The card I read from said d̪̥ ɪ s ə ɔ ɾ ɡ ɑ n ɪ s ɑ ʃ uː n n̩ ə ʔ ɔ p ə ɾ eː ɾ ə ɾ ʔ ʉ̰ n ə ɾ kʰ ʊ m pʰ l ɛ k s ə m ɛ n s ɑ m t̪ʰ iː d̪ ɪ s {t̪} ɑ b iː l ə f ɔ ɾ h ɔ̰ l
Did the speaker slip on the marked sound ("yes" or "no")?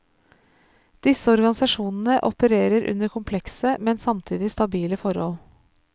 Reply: no